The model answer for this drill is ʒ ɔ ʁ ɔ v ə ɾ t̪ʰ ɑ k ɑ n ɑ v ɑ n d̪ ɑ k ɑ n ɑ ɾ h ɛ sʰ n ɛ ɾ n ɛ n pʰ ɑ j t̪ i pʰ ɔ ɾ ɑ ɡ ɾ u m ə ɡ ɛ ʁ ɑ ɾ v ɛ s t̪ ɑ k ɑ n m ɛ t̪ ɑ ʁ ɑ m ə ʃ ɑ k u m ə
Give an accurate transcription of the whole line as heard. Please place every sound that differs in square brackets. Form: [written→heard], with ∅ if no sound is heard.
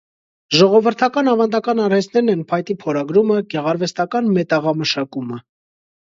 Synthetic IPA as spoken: ʒ ɔ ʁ ɔ v ə ɾ t̪ʰ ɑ k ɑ n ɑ v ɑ n d̪ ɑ k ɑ n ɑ ɾ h ɛ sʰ n ɛ ɾ n ɛ n pʰ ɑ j t̪ i pʰ ɔ ɾ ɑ ɡ ɾ u m ə ɡ ɛ ʁ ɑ ɾ v ɛ s t̪ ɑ k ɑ n m ɛ t̪ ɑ ʁ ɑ m ə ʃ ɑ k u m ə